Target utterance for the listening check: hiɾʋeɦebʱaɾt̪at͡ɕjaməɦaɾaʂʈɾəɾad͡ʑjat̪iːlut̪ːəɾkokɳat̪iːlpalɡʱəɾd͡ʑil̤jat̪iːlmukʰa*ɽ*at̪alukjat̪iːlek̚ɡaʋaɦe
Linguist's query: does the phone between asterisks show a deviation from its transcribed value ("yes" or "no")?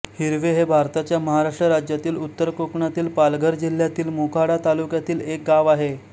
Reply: no